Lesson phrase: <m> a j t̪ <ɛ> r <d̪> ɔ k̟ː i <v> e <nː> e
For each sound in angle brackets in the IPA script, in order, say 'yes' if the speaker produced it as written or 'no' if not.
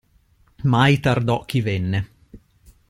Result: yes, no, yes, yes, yes

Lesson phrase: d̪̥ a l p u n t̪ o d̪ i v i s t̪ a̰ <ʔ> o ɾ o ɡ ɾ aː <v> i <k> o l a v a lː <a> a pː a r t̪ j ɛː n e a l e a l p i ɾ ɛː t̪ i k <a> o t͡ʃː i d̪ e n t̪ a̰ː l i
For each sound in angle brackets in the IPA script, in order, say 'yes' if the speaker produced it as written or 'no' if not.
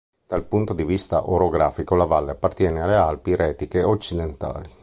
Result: yes, no, yes, no, no

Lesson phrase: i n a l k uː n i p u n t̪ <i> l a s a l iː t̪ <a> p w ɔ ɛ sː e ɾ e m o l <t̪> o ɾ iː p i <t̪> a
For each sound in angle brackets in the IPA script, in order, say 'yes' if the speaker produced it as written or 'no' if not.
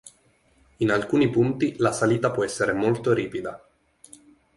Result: yes, yes, yes, no

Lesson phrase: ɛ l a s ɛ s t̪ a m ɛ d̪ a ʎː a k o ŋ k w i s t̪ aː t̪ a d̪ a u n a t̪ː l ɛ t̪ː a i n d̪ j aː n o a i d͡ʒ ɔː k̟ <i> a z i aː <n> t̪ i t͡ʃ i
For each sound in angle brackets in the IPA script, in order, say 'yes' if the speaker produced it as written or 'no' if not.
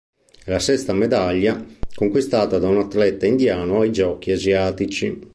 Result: yes, no

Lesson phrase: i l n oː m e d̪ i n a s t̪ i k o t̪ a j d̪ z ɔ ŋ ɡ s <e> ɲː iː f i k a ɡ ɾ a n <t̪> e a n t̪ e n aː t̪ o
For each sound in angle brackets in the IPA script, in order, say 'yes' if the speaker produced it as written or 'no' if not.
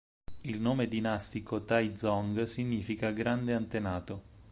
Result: no, no

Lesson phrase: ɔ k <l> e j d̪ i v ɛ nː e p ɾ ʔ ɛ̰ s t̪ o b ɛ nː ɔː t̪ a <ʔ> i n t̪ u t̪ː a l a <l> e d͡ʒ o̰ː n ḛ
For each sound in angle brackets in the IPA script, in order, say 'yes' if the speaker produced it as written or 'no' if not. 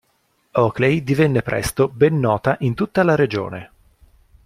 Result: yes, yes, no

